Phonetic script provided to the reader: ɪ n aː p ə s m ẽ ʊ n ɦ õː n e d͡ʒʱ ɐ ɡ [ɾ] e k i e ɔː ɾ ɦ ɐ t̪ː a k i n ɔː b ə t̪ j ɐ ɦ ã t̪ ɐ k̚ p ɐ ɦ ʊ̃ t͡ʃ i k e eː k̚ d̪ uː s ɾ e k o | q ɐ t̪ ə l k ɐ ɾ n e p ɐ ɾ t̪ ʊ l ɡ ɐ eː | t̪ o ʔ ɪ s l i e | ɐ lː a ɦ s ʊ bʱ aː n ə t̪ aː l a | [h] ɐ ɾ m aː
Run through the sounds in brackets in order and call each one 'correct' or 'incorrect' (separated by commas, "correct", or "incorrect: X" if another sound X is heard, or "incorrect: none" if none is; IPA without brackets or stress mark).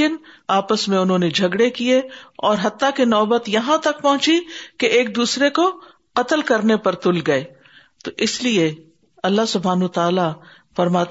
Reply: incorrect: ɽ, incorrect: f